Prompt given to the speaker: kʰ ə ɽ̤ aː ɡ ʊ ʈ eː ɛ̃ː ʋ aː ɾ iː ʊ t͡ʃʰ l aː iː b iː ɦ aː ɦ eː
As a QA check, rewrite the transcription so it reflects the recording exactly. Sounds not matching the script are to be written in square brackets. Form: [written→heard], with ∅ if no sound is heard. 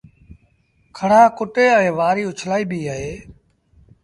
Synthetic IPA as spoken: kʰ ə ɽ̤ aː [ɡ→k] ʊ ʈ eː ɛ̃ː ʋ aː ɾ iː ʊ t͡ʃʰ l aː iː b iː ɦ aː ɦ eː